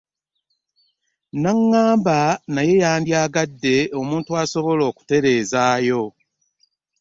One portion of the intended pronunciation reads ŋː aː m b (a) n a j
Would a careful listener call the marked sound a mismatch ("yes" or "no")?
no